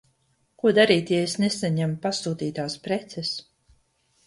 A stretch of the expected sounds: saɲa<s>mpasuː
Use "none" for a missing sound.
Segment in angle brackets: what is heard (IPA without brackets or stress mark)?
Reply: none